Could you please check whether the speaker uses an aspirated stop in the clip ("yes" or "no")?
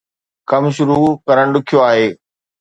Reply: yes